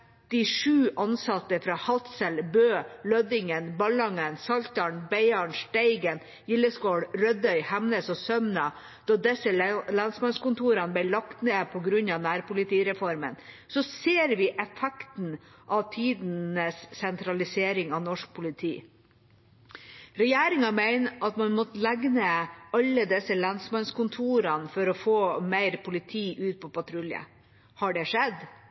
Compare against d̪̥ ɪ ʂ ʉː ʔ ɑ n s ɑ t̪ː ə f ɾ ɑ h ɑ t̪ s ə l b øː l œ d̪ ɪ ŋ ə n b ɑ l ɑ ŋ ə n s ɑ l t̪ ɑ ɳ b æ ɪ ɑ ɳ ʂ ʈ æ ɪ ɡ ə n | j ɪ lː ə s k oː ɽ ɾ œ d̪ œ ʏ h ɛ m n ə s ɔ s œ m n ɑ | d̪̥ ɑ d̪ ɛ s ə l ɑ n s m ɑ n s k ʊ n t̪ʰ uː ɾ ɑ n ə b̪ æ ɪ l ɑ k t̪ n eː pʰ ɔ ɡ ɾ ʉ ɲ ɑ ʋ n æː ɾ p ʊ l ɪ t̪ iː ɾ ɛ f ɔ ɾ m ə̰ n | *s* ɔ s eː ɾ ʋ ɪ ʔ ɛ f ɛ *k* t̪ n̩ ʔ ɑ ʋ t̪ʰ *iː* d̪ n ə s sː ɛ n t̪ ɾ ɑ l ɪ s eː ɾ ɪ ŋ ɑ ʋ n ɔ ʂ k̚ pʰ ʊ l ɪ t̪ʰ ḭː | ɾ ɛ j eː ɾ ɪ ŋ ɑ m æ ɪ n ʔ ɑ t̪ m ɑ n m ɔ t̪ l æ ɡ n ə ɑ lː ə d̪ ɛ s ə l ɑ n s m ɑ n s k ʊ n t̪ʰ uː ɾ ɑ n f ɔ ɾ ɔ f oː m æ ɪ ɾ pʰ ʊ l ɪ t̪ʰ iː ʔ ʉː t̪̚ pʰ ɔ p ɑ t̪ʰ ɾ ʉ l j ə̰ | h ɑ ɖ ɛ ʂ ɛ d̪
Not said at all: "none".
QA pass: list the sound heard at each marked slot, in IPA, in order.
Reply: s, k, iː

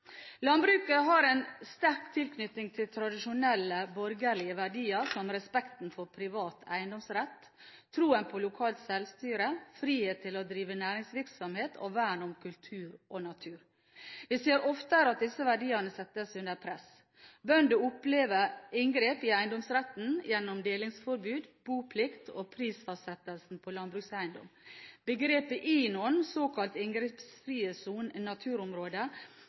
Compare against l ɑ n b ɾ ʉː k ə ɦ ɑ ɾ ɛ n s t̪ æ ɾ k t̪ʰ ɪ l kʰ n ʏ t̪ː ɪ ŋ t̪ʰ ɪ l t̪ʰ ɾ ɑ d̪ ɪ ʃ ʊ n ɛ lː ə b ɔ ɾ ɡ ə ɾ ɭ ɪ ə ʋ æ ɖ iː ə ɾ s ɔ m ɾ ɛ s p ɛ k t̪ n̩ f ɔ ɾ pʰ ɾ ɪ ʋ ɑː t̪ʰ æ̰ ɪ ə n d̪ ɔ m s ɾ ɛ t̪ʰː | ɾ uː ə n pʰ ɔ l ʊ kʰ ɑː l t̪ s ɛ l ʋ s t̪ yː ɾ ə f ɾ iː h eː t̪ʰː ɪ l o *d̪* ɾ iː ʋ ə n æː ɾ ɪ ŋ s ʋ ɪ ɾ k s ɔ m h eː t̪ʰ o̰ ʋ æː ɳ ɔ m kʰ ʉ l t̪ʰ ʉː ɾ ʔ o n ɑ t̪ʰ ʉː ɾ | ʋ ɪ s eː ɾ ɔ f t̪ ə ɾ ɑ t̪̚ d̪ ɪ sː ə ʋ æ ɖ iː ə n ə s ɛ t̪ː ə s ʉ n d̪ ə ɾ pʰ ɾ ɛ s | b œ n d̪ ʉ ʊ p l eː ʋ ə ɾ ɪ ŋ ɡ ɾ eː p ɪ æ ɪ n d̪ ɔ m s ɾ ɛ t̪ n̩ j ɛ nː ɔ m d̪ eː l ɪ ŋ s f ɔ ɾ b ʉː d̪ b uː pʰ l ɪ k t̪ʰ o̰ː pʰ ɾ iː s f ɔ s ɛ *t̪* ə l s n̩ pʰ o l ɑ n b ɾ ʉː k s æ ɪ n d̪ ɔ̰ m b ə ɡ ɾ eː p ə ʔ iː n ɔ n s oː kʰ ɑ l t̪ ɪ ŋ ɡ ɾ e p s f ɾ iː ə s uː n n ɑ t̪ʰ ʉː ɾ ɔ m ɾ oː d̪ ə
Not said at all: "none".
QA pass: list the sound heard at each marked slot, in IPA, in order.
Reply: d̪, t̪

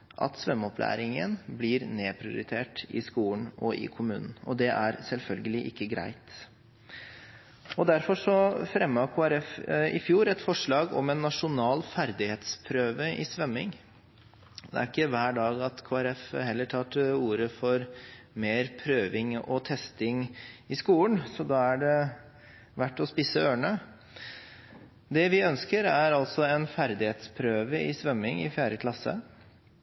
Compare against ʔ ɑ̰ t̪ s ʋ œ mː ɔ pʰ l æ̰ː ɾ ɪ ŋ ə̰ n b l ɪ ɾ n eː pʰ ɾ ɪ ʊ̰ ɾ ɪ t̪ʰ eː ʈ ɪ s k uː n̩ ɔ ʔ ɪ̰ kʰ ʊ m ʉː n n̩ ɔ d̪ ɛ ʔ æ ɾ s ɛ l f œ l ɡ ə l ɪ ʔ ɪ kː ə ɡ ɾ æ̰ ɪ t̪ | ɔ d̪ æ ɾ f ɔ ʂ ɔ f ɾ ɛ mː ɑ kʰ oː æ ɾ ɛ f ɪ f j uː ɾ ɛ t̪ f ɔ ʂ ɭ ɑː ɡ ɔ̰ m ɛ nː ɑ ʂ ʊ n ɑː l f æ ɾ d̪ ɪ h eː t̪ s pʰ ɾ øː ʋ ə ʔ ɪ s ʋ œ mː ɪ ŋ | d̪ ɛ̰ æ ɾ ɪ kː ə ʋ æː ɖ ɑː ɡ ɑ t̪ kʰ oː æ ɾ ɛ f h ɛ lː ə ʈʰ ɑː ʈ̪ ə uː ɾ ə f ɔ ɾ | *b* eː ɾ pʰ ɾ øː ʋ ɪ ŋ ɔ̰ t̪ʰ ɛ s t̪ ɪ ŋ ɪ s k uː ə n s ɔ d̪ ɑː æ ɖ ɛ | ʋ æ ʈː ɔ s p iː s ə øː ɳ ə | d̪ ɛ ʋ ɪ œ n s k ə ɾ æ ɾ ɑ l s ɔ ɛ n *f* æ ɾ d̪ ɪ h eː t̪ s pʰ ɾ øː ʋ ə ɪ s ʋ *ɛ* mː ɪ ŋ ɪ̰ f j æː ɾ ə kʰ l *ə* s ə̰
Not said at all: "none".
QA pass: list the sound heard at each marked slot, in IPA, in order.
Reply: m, f, œ, ɑ

